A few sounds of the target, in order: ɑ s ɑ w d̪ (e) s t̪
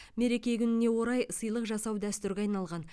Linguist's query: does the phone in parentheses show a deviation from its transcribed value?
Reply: yes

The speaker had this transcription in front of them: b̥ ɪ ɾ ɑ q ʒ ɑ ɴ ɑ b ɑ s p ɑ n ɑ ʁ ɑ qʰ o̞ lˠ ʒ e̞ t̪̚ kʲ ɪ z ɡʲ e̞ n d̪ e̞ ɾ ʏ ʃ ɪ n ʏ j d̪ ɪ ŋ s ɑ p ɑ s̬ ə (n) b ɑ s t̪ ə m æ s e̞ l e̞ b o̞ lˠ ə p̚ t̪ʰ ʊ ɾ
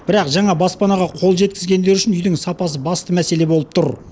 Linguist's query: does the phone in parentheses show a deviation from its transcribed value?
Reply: yes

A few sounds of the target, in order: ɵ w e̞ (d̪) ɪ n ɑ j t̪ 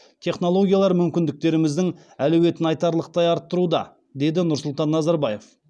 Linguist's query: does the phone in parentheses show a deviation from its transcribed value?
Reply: yes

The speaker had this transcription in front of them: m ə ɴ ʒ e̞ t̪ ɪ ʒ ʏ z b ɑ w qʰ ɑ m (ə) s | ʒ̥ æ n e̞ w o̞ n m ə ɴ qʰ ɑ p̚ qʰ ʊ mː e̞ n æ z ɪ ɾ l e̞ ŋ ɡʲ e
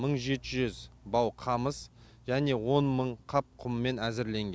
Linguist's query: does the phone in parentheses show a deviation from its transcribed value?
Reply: no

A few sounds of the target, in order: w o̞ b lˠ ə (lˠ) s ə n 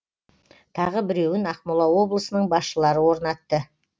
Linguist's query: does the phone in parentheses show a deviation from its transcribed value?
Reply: yes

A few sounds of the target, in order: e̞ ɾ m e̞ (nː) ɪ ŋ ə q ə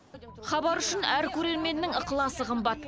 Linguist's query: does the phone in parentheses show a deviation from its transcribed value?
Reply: no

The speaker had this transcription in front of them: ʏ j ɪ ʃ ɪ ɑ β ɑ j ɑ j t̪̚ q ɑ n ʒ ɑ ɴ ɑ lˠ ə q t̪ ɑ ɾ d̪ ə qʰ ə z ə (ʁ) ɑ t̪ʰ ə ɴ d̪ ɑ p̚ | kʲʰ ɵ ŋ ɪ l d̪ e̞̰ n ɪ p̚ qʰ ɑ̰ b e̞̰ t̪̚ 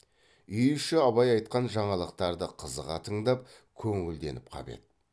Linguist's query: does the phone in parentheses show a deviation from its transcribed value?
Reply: no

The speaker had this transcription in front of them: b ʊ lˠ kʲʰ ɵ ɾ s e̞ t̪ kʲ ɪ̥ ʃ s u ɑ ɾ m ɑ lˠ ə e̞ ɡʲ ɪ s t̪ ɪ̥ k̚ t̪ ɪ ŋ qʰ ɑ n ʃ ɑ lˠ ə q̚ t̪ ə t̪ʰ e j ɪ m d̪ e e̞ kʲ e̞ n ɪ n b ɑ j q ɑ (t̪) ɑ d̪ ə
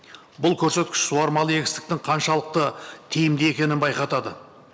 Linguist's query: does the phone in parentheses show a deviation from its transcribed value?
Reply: no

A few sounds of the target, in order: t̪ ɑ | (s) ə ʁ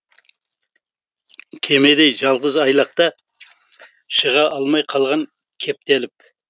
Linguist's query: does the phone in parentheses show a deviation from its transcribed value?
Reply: yes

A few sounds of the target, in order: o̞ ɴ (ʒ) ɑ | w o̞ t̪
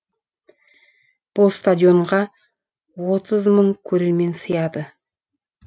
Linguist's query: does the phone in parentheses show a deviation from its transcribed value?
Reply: yes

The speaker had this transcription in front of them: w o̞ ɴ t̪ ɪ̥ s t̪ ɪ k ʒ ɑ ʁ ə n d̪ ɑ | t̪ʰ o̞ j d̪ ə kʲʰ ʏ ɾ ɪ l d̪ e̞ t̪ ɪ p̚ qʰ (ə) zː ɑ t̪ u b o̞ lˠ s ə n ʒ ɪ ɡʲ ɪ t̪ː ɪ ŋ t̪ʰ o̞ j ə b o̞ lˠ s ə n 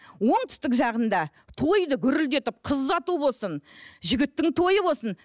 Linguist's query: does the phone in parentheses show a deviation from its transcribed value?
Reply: no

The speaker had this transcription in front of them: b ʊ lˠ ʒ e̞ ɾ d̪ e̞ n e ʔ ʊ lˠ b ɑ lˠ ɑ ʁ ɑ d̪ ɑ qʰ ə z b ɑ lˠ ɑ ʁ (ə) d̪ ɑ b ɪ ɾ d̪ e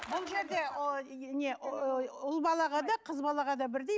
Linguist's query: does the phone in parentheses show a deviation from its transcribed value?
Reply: yes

